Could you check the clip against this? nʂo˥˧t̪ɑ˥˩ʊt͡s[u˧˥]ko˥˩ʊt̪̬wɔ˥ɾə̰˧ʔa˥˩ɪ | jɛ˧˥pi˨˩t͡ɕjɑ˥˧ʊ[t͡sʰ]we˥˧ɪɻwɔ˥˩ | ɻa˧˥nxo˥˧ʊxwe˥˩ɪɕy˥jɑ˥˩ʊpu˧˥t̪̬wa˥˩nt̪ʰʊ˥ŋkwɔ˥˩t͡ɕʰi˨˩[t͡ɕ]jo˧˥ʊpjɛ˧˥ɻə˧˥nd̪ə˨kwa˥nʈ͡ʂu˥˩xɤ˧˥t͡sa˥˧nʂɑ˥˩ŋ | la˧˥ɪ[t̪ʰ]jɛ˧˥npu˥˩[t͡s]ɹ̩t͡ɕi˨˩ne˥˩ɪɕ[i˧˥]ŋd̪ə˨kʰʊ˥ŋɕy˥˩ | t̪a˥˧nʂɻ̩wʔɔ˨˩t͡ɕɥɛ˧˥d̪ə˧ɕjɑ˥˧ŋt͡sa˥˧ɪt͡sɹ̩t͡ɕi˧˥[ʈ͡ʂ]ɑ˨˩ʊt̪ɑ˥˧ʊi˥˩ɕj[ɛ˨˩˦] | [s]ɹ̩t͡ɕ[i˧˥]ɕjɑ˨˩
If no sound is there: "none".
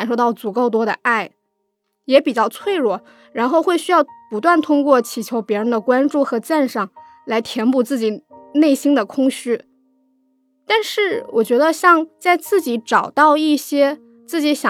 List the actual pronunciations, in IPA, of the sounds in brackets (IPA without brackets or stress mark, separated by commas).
u˨˩, t͡sʰ, t͡ɕʰ, t̪ʰ, t͡s, i˥, ʈ͡ʂ, ɛ˥, t͡s, i˧˥